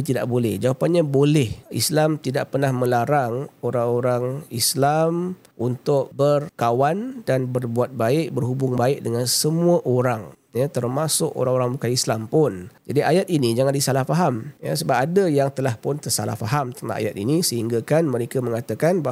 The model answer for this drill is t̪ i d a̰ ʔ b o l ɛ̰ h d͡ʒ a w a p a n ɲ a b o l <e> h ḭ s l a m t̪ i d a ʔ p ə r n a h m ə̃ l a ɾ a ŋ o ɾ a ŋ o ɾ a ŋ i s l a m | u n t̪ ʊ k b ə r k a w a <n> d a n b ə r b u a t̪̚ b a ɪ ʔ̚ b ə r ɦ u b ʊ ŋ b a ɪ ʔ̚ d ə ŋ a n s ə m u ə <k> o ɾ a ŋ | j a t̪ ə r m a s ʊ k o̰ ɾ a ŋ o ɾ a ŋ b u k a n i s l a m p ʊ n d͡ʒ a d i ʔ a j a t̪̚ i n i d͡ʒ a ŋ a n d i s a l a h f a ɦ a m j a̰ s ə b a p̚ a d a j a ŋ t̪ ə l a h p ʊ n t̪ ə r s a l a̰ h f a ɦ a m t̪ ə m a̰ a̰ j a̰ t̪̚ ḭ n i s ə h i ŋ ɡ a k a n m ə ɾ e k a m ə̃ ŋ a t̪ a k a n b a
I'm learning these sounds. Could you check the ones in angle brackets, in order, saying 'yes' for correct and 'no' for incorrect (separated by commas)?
no, yes, no